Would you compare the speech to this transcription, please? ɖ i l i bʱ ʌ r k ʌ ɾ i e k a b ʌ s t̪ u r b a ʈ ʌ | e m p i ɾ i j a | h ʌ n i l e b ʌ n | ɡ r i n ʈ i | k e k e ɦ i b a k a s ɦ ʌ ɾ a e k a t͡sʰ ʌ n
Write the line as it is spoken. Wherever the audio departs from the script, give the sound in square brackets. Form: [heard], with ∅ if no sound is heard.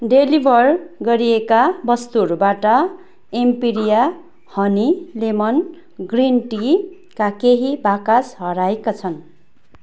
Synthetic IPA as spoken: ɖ [e] l i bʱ ʌ r [ɡ] ʌ ɾ i e k a b ʌ s t̪ u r b a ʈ ʌ | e m p i ɾ i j a | h ʌ n i l e [m] ʌ n | ɡ r i n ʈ i | k [a] k e ɦ i b a k a s ɦ ʌ ɾ a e k a t͡sʰ ʌ n